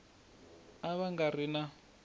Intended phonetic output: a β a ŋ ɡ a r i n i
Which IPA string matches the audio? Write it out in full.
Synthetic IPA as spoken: a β a ŋ ɡ a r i n a

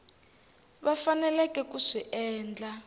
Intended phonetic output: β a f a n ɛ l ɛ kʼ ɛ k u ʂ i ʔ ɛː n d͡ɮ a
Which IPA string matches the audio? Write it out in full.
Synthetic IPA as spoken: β a f a n ɛ l ɛ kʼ ɛ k u ʂ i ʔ ɛː n d͡ɮ a

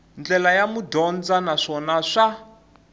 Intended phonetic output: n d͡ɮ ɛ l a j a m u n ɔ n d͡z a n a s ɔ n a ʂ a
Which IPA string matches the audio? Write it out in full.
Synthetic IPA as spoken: n d͡ɮ ɛ l a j a m u d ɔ n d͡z a n a ʂ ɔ n a ʂ a

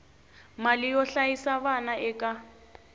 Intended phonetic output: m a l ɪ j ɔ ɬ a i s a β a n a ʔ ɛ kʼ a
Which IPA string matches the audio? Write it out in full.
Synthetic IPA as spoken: m a l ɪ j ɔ ɬ a i s a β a n a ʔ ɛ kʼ a

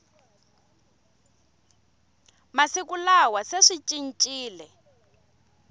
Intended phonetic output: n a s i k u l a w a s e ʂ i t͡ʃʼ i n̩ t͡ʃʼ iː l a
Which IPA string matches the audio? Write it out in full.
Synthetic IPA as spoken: m a s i k u l a w a s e ʂ i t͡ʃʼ i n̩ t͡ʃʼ iː l ɛ

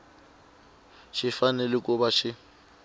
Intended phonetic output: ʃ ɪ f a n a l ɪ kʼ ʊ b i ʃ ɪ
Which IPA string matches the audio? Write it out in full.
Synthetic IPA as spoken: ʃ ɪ f a n ɛ l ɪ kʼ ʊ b a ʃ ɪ

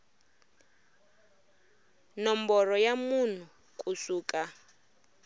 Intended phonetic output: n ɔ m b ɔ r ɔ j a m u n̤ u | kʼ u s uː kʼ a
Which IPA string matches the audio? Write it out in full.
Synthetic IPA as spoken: n ɔ m b ɔ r ɔ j a m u n̤ u | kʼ u s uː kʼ a

